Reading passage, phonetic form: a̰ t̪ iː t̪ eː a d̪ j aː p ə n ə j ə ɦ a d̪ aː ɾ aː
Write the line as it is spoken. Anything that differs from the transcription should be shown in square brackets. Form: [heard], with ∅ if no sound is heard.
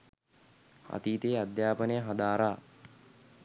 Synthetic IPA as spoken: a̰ t̪ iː t̪ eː a d̪ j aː p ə n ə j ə ɦ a d̪ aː ɾ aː